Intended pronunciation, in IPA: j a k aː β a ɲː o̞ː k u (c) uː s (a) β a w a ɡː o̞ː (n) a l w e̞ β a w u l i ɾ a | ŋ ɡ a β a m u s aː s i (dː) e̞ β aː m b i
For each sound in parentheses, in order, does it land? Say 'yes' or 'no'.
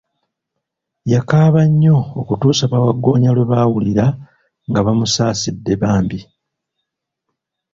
no, yes, no, yes

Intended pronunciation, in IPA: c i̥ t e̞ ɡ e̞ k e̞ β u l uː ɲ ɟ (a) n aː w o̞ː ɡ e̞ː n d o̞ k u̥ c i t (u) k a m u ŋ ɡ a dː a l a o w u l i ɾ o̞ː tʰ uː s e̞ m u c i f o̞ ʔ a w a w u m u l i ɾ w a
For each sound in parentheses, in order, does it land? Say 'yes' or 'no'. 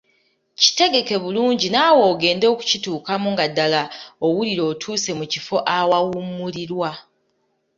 no, no

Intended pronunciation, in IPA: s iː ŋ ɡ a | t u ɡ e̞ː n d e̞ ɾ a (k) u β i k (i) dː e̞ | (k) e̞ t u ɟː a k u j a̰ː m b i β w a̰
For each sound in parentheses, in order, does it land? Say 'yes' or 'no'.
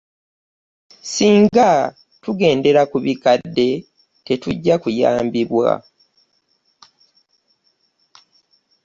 yes, no, no

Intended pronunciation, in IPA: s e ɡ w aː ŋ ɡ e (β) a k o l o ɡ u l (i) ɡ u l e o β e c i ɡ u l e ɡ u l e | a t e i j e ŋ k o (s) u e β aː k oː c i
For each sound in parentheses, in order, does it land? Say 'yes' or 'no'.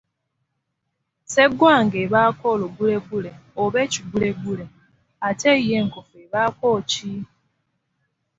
yes, no, no

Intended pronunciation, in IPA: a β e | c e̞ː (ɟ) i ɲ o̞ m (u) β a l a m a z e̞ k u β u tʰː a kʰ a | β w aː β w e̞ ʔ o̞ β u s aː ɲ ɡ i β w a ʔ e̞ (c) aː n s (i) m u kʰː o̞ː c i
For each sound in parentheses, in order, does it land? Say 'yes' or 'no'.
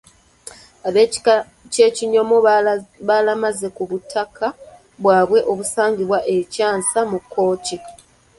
no, no, yes, no

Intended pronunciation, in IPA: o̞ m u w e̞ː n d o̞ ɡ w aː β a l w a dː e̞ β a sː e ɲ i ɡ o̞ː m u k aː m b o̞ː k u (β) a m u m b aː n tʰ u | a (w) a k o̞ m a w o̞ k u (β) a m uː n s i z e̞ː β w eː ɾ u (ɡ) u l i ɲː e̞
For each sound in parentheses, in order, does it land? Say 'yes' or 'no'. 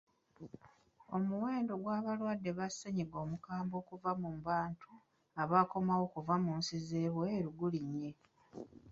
no, no, no, yes

